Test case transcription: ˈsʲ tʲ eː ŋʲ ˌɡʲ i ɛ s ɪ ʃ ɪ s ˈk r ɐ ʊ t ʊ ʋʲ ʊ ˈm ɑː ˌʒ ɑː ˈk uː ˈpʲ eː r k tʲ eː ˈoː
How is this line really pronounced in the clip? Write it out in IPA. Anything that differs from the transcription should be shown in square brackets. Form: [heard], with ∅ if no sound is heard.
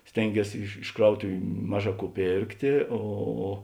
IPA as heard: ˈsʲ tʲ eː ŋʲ ˌɡʲ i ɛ s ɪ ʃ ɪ [ʃ] ˈk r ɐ ʊ t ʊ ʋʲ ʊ ˈm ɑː ˌʒ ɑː ˈk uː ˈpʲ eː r k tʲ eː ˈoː